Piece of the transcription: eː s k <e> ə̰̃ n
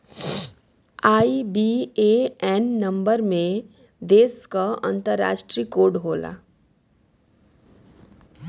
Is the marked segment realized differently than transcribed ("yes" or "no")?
yes